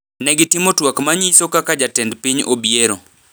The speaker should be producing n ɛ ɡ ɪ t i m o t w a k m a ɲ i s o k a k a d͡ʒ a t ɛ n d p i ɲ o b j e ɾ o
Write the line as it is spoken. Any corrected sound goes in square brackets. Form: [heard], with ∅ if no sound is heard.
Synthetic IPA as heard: n ɛ ɡ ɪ t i m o t w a k m a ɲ i s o k a k a d͡ʒ a t ɛ n d p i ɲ o b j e ɾ o